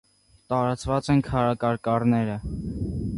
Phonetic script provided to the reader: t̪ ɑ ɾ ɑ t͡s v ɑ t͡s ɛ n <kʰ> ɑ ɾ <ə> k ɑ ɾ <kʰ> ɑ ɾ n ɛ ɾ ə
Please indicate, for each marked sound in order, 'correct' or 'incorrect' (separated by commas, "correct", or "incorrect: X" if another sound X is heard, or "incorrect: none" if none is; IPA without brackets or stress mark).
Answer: correct, incorrect: ɑ, incorrect: k